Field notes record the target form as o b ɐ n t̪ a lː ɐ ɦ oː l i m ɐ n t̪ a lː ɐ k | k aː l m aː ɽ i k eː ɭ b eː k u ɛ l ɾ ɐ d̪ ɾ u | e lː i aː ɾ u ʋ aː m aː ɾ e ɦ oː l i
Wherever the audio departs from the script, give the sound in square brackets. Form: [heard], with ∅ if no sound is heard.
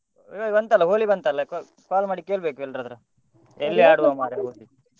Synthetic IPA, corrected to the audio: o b ɐ n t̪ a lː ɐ ɦ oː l i [b] ɐ n t̪ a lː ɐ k | k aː l m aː ɽ i k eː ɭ b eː k u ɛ l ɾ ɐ d̪ ɾ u | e lː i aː [ɽ] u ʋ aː m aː ɾ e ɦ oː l i